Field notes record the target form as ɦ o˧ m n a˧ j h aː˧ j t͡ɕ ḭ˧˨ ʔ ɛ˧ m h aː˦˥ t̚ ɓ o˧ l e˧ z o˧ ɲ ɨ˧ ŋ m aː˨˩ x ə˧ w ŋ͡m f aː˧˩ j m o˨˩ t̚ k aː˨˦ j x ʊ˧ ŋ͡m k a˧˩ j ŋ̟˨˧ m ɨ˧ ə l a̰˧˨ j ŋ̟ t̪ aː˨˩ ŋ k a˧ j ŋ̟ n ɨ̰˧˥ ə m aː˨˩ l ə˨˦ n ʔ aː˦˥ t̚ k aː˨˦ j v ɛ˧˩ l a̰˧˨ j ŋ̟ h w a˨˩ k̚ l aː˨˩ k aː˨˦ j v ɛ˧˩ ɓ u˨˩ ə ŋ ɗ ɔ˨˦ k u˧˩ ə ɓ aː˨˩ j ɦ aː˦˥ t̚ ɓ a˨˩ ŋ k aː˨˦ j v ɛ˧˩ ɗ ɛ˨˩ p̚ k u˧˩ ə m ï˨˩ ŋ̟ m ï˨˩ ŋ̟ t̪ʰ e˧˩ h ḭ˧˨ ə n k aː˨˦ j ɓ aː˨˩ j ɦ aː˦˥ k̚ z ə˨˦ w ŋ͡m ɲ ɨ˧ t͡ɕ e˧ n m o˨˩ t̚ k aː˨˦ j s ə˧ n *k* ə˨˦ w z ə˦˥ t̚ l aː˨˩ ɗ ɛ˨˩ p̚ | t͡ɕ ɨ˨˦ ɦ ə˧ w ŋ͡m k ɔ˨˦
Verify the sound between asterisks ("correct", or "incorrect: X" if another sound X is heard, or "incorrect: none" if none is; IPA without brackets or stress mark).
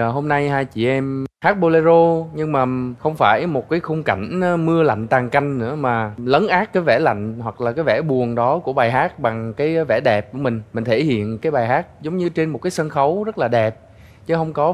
incorrect: x